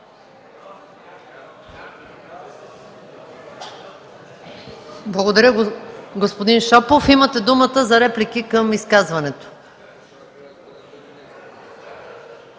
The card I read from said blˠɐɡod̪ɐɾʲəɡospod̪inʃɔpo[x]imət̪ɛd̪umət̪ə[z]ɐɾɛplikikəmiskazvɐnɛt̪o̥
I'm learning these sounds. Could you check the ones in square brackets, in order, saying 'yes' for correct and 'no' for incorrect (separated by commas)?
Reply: no, yes